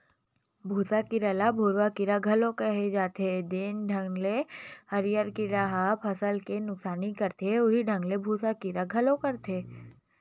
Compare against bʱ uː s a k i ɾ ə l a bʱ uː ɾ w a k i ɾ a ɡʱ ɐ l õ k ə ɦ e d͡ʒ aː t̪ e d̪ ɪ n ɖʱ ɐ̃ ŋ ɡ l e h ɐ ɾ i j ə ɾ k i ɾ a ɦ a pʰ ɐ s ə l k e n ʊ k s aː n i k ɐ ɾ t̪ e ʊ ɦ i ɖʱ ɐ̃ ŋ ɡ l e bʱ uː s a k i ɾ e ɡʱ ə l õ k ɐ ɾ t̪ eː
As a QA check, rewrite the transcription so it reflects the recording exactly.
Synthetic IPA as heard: bʱ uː s a k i ɾ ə l a bʱ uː ɾ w a k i ɾ a ɡʱ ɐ l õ k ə ɦ e d͡ʒ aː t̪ e d̪ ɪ n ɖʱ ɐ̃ ŋ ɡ l e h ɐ ɾ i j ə ɾ k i ɾ a ɦ a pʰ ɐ s ə l k e n ʊ k s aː n i k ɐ ɾ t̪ e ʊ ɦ i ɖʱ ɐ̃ ŋ ɡ l e bʱ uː s a k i ɾ a ɡʱ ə l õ k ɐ ɾ t̪ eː